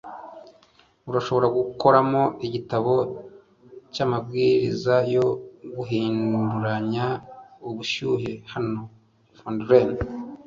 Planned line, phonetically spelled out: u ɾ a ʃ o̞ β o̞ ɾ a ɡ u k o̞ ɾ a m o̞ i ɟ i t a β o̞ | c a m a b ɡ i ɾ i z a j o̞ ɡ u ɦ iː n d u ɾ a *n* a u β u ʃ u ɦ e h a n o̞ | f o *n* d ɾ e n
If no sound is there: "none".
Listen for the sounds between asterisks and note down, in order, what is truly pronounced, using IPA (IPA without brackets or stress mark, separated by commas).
ɲ, n